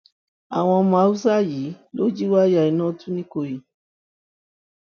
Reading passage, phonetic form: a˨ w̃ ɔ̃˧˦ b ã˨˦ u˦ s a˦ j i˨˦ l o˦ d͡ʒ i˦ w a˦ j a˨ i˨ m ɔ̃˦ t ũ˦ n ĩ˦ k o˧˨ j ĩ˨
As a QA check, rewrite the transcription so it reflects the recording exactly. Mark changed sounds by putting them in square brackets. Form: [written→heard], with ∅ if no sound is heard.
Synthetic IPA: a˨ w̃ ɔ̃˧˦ [b→m] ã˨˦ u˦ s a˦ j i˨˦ l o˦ d͡ʒ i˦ w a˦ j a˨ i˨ [m→n] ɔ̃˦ t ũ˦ n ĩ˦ k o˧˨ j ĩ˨